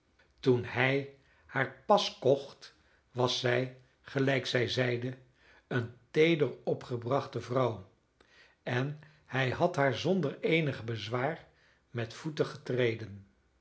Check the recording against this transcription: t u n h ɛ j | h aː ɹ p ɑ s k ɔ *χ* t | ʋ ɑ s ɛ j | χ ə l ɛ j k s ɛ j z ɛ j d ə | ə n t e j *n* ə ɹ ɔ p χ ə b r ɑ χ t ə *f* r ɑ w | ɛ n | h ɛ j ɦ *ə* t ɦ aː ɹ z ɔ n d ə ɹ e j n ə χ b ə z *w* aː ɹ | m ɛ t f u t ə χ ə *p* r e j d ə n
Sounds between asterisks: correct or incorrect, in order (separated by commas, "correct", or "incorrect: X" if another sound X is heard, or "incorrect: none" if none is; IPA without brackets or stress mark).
correct, incorrect: d, incorrect: v, incorrect: ɑ, incorrect: ʋ, incorrect: t